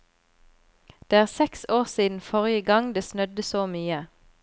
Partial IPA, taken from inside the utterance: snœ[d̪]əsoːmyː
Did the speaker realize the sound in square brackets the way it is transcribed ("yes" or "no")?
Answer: yes